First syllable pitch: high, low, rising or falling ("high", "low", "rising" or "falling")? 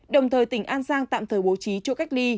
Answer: low